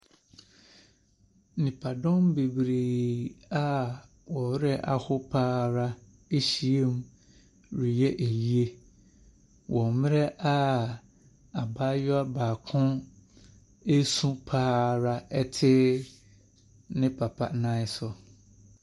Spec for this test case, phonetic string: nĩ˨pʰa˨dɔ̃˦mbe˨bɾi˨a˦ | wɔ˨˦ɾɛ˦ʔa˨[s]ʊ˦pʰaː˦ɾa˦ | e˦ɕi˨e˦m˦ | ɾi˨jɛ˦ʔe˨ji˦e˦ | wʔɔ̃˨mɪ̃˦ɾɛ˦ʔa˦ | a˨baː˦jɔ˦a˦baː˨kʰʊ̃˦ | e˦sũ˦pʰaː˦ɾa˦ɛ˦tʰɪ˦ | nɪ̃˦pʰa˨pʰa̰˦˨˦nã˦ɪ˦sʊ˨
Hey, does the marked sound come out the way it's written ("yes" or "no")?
no